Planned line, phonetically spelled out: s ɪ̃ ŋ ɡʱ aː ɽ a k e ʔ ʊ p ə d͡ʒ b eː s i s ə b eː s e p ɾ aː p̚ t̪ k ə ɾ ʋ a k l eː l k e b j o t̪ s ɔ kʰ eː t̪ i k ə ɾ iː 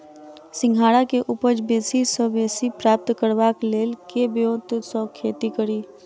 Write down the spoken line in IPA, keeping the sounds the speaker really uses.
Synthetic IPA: s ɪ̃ ŋ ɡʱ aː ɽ a k e ʔ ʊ p ə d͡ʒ b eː s i s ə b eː s i p ɾ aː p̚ t̪ k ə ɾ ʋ a k l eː l k e b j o t̪ s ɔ kʰ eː t̪ i k ə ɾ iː